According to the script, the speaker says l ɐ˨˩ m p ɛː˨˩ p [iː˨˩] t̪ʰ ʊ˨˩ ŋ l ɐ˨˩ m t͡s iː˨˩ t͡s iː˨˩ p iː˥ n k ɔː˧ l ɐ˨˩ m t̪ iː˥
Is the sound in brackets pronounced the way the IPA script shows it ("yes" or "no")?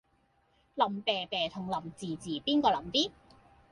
no